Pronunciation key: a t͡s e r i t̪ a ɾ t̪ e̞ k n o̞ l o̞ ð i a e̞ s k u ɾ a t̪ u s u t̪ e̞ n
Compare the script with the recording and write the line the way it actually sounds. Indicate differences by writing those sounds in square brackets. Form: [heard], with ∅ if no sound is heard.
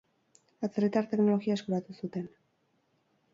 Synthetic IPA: a t͡s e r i t̪ a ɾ t̪ e̞ k n o̞ l o̞ [ɣ] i a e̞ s k u ɾ a t̪ u s u t̪ e̞ n

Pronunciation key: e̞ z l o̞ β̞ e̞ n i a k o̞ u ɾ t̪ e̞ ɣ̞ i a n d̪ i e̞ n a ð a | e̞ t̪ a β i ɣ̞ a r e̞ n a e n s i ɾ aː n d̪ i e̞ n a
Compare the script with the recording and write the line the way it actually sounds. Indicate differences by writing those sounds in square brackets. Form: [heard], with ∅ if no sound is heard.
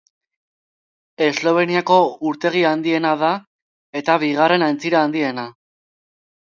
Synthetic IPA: e̞ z l o̞ β̞ e̞ n i a k o̞ u ɾ t̪ e̞ ɣ̞ i a n d̪ i e̞ n a ð a | e̞ t̪ a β i ɣ̞ a r e̞ n a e n [t͡s] i ɾ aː n d̪ i e̞ n a

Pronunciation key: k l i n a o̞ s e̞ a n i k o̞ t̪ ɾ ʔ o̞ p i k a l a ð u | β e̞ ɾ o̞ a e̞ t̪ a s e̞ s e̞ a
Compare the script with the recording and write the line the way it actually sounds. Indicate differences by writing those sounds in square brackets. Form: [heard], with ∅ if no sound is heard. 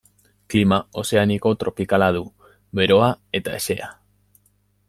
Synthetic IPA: k l i [m] a o̞ s e̞ a n i k o̞ t̪ ɾ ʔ o̞ p i k a l a ð u | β e̞ ɾ o̞ a e̞ t̪ a [∅] e̞ s e̞ a

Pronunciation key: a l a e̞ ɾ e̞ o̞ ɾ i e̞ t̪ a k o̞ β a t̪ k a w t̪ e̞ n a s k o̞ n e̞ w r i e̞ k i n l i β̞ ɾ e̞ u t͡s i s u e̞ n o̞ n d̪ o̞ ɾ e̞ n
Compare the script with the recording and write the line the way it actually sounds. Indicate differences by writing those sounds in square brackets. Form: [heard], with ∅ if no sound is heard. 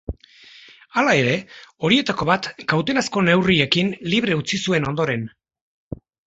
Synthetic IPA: a l a e̞ ɾ e̞ o̞ ɾ i e̞ t̪ a k o̞ β a t̪ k a w t̪ e̞ n a s k o̞ n e̞ w r i e̞ k i n l i β̞ ɾ e̞ u t͡s i s u e̞ n o̞ n d̪ o̞ ɾ e̞ n

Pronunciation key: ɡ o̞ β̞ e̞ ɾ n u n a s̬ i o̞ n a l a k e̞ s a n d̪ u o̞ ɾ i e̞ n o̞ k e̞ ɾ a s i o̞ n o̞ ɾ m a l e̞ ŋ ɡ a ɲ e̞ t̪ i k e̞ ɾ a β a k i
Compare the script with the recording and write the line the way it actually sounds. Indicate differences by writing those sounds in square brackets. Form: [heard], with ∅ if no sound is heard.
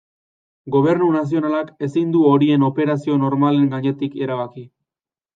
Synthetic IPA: ɡ o̞ β̞ e̞ ɾ n u n a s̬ i o̞ n a l a k e̞ s [i] n d̪ u o̞ ɾ i e̞ n o̞ [p] e̞ ɾ a s i o̞ n o̞ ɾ m a l e̞ ŋ ɡ a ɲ e̞ t̪ i k e̞ ɾ a β a k i

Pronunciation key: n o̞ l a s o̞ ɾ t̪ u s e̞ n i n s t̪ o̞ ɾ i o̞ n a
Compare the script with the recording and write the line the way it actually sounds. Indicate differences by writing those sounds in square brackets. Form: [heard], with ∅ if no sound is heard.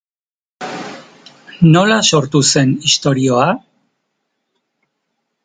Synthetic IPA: n o̞ l a s o̞ ɾ t̪ u s e̞ n i [∅] s t̪ o̞ ɾ i o̞ [∅] a

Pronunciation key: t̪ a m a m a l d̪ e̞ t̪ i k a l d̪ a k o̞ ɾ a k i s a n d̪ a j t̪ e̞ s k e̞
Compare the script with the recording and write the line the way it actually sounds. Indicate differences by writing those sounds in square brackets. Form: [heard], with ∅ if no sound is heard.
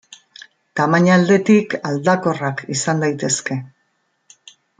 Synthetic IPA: t̪ a m a [ɲ] a l d̪ e̞ t̪ i k a l d̪ a k o̞ [r] a k i s a n d̪ a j t̪ e̞ s k e̞

